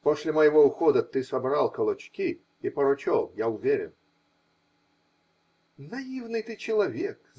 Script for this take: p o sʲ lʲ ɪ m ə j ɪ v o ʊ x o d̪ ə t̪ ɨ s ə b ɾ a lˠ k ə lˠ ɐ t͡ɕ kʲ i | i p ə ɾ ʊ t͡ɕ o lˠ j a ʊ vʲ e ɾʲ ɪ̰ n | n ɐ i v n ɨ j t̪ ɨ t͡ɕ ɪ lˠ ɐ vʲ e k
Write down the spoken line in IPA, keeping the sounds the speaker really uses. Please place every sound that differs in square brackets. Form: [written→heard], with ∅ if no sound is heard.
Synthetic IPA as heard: p o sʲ lʲ ɪ m ə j ɪ v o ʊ x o d̪ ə t̪ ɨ s [ə→ɐ] b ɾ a lˠ k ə lˠ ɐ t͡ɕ kʲ i | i p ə ɾ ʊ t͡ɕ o lˠ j a ʊ vʲ e ɾʲ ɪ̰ n | n ɐ i v n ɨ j t̪ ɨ t͡ɕ ɪ lˠ ɐ vʲ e k